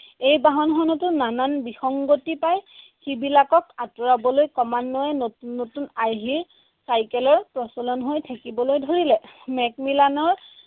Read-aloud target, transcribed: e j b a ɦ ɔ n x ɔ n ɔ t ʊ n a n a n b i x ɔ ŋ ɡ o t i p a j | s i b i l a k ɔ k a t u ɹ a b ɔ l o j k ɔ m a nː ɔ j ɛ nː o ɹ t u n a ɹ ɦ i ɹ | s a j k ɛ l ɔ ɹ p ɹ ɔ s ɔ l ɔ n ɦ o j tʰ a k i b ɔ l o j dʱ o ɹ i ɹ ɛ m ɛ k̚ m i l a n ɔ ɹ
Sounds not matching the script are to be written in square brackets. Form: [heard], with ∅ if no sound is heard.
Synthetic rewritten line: e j b a ɦ ɔ n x ɔ n ɔ t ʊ n a n a n b i x ɔ ŋ ɡ o t i p a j | [x] i b i l a k ɔ k a t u ɹ a b ɔ l o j k ɔ m a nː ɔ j ɛ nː o [∅] t u n a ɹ ɦ i ɹ | s a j k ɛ l ɔ ɹ p ɹ ɔ s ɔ l ɔ n ɦ o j tʰ a k i b ɔ l o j dʱ o ɹ i [l] ɛ m ɛ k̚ m i l a n ɔ ɹ

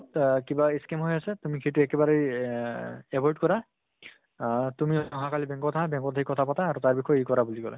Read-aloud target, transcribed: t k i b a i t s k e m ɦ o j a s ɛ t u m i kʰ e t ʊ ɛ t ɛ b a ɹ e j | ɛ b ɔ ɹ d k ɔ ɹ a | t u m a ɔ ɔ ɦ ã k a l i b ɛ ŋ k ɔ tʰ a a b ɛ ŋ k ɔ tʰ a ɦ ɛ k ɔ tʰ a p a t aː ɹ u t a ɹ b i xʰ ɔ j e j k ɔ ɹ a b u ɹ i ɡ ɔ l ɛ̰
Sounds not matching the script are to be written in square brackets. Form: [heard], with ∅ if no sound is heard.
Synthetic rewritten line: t k i b a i [∅] s k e m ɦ o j a s ɛ t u m i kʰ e t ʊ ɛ [k] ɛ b a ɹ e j | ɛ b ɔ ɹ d k ɔ ɹ a | t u m [i] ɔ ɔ ɦ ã k a l i b ɛ ŋ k ɔ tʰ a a b ɛ ŋ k ɔ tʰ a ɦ [i] k ɔ tʰ a p a t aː ɹ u t a ɹ b i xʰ ɔ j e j k ɔ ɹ a b u [l] i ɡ ɔ l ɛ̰

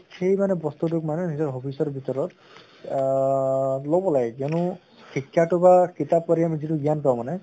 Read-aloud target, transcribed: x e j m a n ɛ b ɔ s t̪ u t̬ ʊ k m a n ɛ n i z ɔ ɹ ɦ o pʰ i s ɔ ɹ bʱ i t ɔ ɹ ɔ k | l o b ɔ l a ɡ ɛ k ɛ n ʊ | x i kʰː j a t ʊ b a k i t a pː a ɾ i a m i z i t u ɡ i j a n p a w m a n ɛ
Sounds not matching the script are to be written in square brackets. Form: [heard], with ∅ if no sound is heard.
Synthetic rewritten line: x e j m a n ɛ b ɔ s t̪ u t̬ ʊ k m a n ɛ n i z ɔ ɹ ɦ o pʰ i s ɔ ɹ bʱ i t ɔ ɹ ɔ [t] | l o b ɔ l a ɡ ɛ k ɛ n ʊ | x i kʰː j a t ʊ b a k i t a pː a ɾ i a m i z i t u ɡ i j a n p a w m a n ɛ

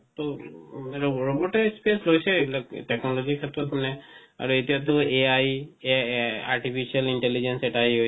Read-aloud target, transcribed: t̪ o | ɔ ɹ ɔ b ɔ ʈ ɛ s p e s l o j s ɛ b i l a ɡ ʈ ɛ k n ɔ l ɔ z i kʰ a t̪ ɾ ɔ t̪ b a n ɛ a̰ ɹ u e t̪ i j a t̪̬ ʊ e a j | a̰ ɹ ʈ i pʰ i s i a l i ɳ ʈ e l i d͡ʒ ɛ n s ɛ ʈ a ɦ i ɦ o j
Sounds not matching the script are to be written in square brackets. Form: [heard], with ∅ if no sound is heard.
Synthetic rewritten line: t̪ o | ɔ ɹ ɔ b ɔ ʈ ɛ s p e s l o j s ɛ b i l a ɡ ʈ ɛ k n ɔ l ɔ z i kʰ a t̪ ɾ ɔ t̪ [m] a n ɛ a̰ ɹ u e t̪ i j a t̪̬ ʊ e a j | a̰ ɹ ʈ i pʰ i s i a l i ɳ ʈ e l i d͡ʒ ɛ n s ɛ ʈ a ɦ i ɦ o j

